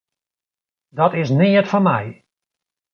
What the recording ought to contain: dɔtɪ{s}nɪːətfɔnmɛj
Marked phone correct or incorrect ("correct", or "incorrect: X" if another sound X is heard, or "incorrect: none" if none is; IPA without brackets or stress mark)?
correct